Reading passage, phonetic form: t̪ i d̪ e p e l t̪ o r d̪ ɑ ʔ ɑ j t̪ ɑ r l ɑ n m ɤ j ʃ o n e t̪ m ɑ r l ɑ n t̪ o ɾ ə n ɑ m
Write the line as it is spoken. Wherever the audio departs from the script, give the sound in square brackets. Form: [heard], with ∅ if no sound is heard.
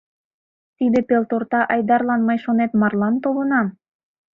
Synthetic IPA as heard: t̪ i d̪ e p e l t̪ o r [t̪] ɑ ʔ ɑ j [d̪] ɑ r l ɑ n m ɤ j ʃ o n e t̪ m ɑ r l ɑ n t̪ o [l] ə n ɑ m